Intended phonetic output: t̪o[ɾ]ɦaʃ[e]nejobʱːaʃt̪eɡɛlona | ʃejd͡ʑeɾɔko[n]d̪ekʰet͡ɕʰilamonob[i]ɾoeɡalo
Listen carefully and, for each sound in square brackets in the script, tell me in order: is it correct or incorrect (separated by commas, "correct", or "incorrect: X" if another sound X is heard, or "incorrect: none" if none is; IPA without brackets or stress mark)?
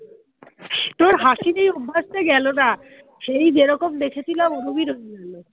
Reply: correct, incorrect: i, incorrect: m, correct